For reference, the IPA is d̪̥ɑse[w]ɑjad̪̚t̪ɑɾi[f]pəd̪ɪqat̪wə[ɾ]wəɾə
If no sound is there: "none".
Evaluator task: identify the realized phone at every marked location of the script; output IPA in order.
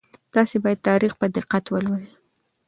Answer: b, x, l

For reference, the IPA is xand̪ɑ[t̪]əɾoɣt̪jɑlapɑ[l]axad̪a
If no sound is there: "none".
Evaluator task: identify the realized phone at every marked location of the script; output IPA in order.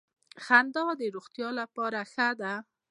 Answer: d̪, ɾ

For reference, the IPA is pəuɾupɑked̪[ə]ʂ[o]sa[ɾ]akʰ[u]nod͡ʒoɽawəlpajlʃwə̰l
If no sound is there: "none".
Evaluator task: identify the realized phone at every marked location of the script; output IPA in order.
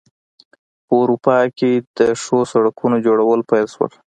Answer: ə, o, ɽ, u

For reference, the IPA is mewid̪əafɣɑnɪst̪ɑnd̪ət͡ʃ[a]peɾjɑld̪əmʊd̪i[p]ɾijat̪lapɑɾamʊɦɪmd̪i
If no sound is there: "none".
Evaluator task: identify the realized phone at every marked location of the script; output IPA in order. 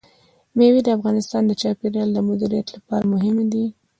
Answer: ɑ, none

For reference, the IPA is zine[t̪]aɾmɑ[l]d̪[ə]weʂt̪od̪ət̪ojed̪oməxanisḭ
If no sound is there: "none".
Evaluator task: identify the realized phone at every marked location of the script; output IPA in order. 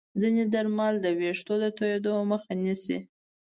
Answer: d̪, l, ə

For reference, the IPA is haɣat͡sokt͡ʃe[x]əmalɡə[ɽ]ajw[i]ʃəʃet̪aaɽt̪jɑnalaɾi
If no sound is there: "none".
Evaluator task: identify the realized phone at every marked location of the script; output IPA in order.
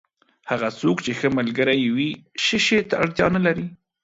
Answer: x, ɾ, i

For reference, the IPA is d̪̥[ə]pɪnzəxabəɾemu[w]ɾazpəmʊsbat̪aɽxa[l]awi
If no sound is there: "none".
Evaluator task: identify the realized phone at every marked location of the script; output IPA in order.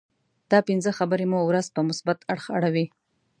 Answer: ɑ, w, ɽ

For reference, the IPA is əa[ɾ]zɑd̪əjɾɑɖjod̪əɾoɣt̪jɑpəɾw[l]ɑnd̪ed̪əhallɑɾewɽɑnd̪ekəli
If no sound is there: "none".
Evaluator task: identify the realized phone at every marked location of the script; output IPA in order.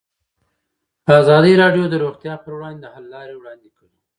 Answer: none, ɽ

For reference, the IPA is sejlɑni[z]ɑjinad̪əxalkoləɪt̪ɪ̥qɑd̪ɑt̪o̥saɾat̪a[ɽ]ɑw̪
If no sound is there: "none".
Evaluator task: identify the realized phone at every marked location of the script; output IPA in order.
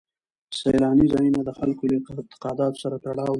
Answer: z, ɽ

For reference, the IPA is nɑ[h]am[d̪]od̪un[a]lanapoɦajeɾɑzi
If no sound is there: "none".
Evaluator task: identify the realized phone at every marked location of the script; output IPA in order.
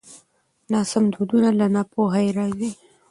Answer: s, d̪, a

